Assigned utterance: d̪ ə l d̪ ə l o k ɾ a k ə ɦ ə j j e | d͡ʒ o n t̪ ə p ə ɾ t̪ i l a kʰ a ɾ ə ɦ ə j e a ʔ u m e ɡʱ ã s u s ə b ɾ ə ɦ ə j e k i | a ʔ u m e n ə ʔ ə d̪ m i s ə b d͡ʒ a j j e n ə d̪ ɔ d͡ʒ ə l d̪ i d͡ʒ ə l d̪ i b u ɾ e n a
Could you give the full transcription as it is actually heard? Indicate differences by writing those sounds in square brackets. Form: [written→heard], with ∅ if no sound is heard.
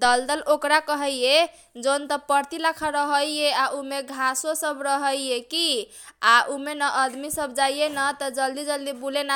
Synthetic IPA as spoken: d̪ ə l d̪ ə l o k ɾ a k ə ɦ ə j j e | d͡ʒ o n t̪ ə p ə ɾ t̪ i l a kʰ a ɾ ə ɦ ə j e a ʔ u m e ɡʱ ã s [u→o] s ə b ɾ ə ɦ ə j e k i | a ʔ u m e n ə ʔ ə d̪ m i s ə b d͡ʒ a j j e n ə [d̪→t̪] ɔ d͡ʒ ə l d̪ i d͡ʒ ə l d̪ i b u [ɾ→l] e n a